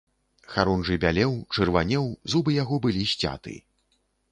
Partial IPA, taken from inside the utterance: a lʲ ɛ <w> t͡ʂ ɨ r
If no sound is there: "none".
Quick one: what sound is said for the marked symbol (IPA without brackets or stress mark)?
w